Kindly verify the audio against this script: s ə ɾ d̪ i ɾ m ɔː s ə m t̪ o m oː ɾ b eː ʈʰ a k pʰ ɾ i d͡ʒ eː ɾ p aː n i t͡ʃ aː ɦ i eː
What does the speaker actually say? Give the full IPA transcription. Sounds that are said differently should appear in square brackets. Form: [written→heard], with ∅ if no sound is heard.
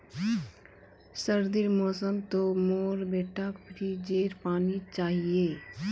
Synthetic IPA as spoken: s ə ɾ d̪ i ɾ m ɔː s ə m t̪ o m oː ɾ b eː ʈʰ a k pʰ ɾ i d͡ʒ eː ɾ p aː n i t͡ʃ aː ɦ i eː